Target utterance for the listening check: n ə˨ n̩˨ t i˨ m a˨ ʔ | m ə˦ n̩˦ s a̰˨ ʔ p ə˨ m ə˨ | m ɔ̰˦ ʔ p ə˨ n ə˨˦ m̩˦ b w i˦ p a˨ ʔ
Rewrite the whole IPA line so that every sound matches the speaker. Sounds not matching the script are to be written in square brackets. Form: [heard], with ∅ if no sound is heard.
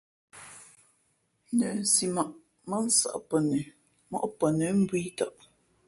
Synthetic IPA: n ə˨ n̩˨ [s] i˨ m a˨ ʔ | m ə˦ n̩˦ s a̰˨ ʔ p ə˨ [n] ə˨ | m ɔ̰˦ ʔ p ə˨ n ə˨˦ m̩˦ b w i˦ [t] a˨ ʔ